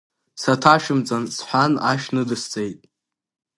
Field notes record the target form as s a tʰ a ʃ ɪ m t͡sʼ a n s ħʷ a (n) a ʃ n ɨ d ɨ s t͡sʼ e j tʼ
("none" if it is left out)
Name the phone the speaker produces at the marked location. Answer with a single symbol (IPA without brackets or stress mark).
n